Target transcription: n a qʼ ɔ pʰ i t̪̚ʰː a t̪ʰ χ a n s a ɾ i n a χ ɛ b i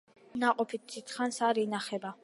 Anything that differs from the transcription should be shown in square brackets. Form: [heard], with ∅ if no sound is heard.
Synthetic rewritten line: n a qʼ ɔ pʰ i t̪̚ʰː [i] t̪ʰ χ a n s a ɾ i n a χ ɛ b [a]